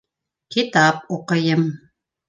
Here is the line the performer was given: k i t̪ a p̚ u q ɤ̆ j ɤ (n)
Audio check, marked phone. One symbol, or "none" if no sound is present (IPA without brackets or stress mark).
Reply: m